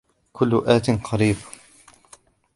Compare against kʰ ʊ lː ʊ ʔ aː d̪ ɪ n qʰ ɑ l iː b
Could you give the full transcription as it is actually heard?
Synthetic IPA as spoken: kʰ ʊ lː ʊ ʔ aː t̪ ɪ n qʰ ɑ ɾ iː b